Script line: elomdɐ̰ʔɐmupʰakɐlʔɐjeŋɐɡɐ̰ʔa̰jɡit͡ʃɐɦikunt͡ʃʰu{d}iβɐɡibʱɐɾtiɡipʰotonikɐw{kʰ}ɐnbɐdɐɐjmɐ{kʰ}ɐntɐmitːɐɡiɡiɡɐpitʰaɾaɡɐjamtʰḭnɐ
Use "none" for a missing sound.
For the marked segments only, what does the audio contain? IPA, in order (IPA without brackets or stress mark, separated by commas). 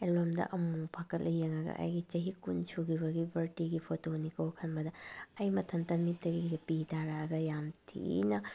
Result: ɡ, kʰ, tʰ